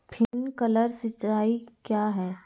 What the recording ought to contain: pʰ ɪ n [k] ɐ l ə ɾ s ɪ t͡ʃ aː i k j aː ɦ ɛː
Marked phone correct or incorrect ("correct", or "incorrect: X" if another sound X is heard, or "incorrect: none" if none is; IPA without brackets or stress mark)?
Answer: correct